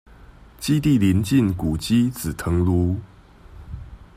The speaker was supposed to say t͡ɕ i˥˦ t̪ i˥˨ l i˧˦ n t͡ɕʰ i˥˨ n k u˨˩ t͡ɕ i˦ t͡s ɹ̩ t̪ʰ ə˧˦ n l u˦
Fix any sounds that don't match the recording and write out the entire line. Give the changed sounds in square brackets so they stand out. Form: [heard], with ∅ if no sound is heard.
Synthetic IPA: t͡ɕ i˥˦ t̪ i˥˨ l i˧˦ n [t͡ɕ] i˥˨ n k u˨˩ t͡ɕ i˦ t͡s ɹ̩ t̪ʰ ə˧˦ [ŋ] l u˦